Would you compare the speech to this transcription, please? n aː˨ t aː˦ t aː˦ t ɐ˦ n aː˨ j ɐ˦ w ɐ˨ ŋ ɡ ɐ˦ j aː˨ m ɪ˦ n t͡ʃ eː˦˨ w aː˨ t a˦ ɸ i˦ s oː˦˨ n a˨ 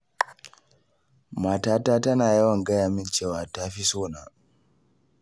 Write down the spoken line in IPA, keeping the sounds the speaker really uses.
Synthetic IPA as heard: m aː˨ t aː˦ t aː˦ t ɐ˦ n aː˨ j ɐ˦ w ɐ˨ ŋ ɡ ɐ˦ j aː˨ m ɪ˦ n t͡ʃ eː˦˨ w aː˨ t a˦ ɸ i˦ s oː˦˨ n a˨